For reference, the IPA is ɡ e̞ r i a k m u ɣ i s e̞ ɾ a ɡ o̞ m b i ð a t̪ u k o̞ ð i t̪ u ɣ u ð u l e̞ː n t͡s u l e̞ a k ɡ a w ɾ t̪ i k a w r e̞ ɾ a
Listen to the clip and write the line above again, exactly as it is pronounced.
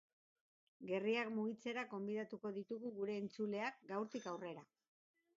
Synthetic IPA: ɡ e̞ r i a k m u ɣ i t͡s e̞ ɾ a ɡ o̞ m b i ð a t̪ u k o̞ ð i t̪ u ɣ u ɣ u ɾ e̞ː n t͡s u l e̞ a k ɡ a w ɾ t̪ i k a w r e̞ ɾ a